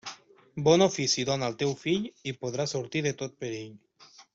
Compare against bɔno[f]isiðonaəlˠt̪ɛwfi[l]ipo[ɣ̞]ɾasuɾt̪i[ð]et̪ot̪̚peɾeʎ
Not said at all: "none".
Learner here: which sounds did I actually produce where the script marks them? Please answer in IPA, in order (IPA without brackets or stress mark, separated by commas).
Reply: f, ʎ, ð̞, ð